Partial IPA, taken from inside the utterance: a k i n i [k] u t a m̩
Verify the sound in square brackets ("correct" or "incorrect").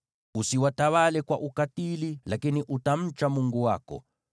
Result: incorrect